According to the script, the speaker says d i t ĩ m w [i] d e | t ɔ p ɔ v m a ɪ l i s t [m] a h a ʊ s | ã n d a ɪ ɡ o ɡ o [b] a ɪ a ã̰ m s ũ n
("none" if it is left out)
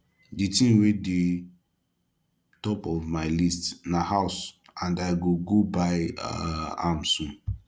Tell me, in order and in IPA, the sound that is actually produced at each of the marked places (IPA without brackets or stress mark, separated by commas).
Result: e, n, b